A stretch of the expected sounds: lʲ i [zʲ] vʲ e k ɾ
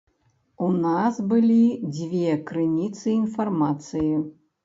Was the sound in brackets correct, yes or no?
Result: no